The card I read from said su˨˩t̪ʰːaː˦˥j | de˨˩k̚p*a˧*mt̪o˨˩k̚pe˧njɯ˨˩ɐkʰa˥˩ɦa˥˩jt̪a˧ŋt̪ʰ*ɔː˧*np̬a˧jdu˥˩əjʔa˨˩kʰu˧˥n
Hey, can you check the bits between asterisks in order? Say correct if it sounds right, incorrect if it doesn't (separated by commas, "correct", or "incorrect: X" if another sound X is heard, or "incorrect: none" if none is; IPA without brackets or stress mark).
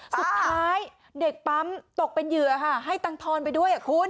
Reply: incorrect: a˦˥, correct